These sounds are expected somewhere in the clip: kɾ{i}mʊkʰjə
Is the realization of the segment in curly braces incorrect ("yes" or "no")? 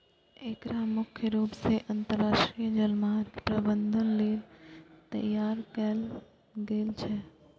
yes